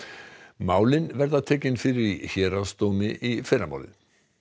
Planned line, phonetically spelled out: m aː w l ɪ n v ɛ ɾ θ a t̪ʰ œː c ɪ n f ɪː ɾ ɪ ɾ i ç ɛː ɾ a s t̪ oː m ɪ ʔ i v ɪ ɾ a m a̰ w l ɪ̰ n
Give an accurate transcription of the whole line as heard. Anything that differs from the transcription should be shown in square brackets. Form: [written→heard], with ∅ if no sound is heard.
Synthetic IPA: m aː w l ɪ n v ɛ ɾ [θ→ð] a t̪ʰ [œː→ɛː] c ɪ n f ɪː ɾ ɪ ɾ i ç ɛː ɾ a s t̪ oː m ɪ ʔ i [v→f] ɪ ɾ a m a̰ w l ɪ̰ n